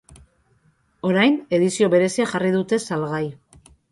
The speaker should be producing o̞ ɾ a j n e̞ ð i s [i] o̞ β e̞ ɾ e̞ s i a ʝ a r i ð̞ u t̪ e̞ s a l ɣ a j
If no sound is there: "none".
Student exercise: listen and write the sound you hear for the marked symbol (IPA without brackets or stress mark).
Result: i